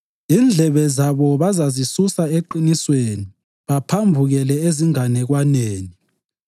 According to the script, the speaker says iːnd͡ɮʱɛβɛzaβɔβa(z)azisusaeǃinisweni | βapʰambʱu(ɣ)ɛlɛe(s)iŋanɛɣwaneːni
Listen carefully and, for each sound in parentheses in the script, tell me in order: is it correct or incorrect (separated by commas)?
correct, correct, incorrect